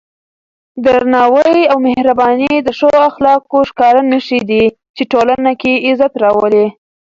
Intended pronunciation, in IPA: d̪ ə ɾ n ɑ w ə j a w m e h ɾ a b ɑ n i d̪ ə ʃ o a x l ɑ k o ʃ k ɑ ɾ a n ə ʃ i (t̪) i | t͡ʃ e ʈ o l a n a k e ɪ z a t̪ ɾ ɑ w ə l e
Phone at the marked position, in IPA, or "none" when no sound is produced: d̪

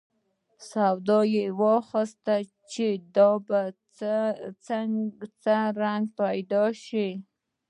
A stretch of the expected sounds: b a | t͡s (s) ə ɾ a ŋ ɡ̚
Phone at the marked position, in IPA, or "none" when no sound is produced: t͡s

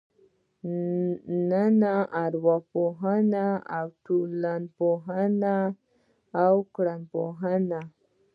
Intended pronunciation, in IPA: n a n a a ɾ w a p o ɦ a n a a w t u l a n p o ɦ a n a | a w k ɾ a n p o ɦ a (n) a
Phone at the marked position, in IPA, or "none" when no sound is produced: n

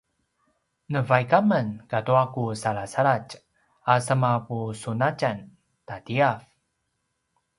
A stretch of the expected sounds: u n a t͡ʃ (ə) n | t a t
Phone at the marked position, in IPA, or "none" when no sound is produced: a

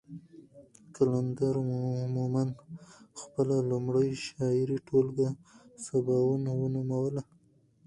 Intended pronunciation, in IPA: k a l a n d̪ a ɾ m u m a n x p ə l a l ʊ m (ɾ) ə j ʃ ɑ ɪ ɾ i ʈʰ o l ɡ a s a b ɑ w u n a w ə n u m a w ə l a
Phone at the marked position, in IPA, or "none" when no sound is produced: ɽ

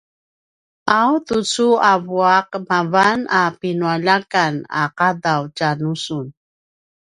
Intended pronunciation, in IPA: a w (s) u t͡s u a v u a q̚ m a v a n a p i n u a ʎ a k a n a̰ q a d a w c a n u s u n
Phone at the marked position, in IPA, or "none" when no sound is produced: t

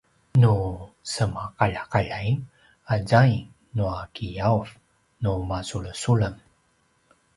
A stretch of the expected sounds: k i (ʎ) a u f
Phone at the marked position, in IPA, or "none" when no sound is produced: j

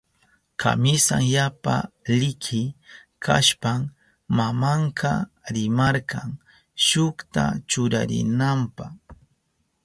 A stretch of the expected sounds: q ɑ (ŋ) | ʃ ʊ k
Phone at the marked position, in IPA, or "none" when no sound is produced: ŋ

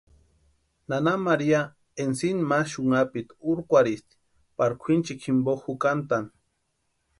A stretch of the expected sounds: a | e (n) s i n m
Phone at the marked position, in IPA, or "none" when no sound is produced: n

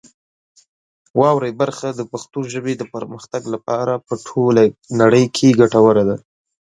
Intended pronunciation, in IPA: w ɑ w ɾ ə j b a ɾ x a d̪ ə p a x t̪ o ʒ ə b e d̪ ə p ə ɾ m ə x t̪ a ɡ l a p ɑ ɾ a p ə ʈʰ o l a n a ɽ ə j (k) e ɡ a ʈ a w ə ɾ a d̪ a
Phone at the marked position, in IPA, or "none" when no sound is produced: kʰ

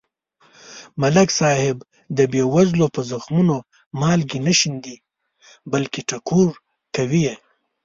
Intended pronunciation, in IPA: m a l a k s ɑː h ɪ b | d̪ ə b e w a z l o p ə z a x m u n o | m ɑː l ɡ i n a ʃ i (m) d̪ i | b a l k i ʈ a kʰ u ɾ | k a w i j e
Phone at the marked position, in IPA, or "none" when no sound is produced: n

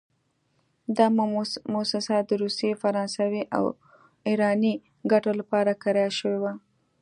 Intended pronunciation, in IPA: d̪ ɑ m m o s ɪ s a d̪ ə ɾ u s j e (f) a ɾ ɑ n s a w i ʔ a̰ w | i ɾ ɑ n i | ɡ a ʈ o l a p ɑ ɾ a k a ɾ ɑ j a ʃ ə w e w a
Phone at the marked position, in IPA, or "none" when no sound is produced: f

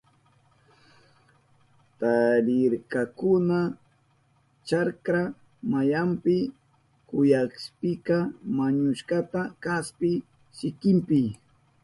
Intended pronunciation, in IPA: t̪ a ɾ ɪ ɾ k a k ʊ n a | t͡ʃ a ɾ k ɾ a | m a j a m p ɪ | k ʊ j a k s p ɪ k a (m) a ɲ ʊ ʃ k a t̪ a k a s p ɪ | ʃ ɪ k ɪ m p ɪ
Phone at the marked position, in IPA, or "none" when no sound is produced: m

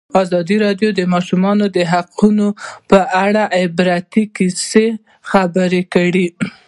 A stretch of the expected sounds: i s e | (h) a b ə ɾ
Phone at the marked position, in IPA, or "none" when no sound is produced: x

